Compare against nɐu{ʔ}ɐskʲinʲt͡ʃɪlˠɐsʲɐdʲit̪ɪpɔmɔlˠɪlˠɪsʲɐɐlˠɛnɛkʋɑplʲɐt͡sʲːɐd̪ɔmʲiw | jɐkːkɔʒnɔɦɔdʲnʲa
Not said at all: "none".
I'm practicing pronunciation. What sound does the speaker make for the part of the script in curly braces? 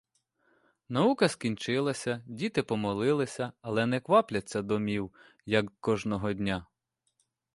k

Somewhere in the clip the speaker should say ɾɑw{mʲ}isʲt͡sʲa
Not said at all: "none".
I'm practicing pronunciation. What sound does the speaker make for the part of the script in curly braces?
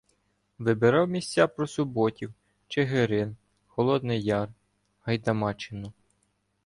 mʲ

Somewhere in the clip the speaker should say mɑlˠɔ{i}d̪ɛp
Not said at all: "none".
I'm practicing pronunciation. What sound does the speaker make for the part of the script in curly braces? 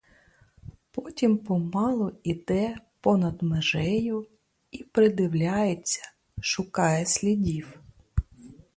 i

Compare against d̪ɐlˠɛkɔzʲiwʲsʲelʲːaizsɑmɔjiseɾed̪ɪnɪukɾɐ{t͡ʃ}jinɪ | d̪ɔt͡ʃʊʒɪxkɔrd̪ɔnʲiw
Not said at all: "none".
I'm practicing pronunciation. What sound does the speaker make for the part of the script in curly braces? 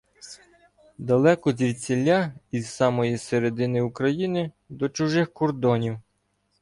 none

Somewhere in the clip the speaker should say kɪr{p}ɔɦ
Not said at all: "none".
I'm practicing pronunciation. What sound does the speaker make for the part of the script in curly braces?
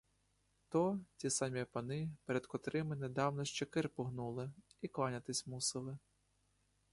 p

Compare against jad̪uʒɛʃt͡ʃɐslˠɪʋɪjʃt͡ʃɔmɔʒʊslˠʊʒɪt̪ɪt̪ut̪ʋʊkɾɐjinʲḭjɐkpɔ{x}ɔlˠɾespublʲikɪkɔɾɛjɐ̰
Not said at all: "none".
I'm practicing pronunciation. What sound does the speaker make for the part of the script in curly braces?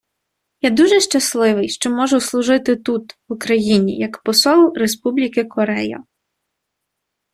s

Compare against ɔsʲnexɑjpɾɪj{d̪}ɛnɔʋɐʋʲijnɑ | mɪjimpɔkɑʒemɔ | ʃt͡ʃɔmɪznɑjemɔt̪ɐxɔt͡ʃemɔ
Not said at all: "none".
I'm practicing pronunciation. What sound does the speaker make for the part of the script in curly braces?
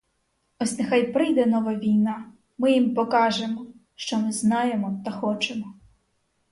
d̪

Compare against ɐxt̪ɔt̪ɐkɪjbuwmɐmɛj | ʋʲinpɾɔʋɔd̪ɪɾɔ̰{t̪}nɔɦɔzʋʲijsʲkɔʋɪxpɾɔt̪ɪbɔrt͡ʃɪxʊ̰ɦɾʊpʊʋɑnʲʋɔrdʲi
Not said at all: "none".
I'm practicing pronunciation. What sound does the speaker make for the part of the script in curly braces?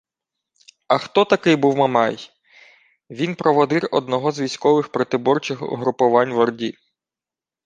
d̪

